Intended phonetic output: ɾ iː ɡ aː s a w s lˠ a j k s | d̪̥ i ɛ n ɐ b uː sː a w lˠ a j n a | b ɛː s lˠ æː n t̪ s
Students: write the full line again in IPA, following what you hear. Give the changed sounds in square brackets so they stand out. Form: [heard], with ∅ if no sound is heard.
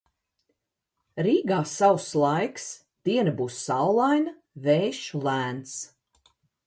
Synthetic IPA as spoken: ɾ iː ɡ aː s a w s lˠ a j k s | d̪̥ i ɛ n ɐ b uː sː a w lˠ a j n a | [v] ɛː [ʃ] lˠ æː n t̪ s